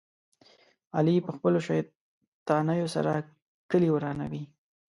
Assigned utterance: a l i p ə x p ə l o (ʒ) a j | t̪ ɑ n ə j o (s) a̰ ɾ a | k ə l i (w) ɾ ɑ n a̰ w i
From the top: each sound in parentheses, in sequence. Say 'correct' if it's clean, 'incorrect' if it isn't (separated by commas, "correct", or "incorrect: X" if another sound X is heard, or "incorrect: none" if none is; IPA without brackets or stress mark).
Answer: incorrect: ʃ, correct, correct